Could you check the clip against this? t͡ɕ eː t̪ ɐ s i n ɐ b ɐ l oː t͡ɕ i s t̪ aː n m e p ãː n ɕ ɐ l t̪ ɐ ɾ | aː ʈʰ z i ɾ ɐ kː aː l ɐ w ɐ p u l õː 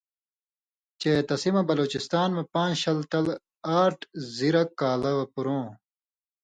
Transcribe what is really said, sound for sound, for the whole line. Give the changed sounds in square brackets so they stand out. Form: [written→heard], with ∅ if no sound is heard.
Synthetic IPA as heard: t͡ɕ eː t̪ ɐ s i [n→m] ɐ b ɐ l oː t͡ɕ i s t̪ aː n m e p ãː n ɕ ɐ l t̪ ɐ [ɾ→l] | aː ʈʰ z i ɾ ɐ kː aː l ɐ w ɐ p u [l→ɾ] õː